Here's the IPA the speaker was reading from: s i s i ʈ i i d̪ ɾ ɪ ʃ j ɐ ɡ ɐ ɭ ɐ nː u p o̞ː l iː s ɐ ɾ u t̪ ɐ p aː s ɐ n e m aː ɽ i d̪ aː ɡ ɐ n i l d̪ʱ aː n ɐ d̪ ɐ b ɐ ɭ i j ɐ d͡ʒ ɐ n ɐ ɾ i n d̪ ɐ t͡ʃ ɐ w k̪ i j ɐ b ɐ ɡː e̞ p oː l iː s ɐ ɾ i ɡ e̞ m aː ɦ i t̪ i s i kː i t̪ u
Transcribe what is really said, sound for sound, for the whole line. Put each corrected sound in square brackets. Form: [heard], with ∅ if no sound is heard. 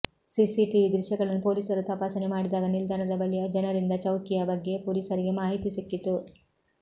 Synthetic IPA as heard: s i s i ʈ i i d̪ ɾ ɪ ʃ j ɐ ɡ ɐ ɭ ɐ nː u p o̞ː l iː s ɐ ɾ u t̪ ɐ p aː s ɐ n e m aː ɽ i d̪ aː ɡ ɐ n i l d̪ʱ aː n ɐ d̪ ɐ b ɐ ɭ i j ɐ d͡ʒ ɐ n ɐ ɾ i n d̪ ɐ t͡ʃ ɐ w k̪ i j ɐ b ɐ ɡː e̞ p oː l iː s ɐ ɾ i ɡ e̞ m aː ɦ i t̪ i s i kː i t̪ u